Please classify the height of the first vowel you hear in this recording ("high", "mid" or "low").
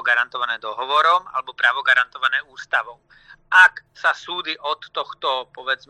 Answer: low